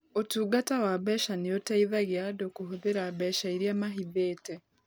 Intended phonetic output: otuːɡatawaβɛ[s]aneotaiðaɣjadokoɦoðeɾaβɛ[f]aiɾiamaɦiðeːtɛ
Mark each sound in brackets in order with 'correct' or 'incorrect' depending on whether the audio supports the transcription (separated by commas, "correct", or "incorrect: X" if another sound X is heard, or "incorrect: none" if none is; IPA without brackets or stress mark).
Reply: incorrect: ʃ, incorrect: ʃ